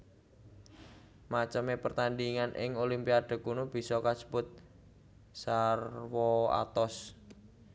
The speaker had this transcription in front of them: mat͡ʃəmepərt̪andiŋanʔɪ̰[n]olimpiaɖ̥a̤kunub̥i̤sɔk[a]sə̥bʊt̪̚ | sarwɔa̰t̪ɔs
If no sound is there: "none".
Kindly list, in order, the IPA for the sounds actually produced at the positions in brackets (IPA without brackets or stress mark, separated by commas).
ŋ, a